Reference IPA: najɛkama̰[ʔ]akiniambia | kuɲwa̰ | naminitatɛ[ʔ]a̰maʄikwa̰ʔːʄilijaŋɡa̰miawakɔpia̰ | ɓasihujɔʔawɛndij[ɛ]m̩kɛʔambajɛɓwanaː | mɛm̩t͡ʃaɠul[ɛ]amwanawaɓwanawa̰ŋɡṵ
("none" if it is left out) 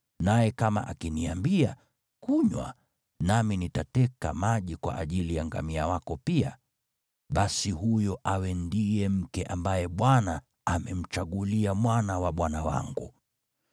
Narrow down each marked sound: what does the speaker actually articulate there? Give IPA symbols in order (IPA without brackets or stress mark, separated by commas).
ʔ, k, ɛ, i